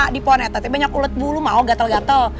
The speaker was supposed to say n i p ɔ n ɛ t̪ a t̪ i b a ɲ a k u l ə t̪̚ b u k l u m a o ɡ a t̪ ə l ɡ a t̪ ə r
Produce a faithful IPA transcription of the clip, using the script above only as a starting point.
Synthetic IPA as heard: d i p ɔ n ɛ t̪ a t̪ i b a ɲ a k u l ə t̪̚ b u l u m a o ɡ a t̪ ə l ɡ a t̪ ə l